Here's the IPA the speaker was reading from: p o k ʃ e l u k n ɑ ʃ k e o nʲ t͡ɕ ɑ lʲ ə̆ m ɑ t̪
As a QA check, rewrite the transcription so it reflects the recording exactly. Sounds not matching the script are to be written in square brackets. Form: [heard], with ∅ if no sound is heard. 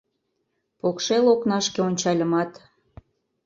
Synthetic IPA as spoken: p o k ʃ e l [o] k n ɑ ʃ k e o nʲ t͡ɕ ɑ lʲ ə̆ m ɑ t̪